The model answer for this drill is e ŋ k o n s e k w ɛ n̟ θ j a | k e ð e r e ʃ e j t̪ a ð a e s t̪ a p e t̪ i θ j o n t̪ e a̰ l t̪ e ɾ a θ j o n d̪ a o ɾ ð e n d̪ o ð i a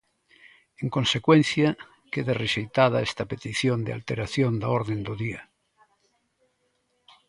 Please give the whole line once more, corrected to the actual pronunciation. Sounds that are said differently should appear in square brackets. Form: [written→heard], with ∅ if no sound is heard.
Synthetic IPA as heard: e ŋ k o n s e k w [ɛ→e] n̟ θ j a | k e ð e r e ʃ e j t̪ a ð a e s t̪ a p e t̪ i θ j o n [t̪→d̪] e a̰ l t̪ e ɾ a θ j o n d̪ a o ɾ ð e n d̪ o ð i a